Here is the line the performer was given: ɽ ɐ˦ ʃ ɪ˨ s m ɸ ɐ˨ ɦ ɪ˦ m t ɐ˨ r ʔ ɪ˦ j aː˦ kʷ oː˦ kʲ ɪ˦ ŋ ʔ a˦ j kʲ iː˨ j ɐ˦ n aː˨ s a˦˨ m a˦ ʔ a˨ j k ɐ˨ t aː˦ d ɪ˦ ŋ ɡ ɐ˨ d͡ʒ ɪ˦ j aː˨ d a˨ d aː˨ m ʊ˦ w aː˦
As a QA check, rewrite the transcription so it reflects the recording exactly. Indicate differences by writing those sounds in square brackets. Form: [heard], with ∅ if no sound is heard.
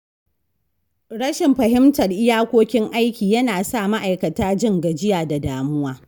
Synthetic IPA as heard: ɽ ɐ˦ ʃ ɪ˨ [∅] m ɸ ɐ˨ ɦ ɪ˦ m t ɐ˨ r ʔ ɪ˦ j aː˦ kʷ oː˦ kʲ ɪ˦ ŋ ʔ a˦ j kʲ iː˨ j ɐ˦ n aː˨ s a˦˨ m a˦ ʔ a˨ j k ɐ˨ t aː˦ [d͡ʒ] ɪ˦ ŋ ɡ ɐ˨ d͡ʒ ɪ˦ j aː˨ d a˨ d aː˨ m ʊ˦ w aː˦